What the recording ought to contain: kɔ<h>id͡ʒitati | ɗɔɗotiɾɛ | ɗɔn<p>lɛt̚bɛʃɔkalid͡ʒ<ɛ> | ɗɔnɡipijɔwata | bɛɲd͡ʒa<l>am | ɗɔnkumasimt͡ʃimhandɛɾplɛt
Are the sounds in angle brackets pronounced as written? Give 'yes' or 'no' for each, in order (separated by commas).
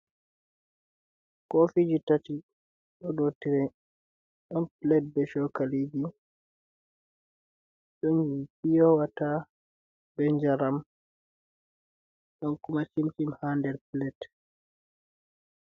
no, yes, no, no